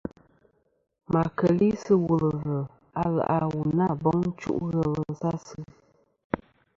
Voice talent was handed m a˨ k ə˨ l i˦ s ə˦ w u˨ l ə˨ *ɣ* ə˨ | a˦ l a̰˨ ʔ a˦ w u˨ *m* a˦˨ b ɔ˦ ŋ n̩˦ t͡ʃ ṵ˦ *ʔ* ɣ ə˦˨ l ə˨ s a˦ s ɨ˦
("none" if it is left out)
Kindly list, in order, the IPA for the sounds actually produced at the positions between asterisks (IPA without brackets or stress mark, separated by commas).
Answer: v, n, ʔ